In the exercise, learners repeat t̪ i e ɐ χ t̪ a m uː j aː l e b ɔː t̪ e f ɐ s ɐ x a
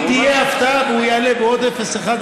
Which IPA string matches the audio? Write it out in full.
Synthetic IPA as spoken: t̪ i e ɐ f t̪ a b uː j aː l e b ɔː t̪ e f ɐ s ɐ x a